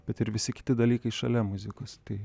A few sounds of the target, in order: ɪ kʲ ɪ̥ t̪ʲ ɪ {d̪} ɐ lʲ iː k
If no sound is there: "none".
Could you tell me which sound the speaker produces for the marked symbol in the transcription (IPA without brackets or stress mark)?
d̪